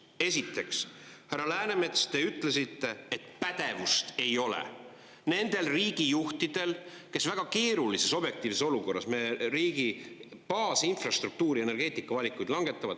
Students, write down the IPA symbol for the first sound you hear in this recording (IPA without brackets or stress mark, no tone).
e̞